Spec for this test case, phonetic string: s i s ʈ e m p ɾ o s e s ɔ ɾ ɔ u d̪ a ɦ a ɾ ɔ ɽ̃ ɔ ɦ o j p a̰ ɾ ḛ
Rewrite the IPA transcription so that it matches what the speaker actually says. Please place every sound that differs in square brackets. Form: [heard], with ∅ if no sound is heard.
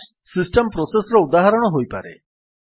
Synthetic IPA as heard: s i s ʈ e m p ɾ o s e s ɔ ɾ ɔ u d̪ a ɦ a ɾ ɔ ɽ̃ ɔ ɦ o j p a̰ ɾ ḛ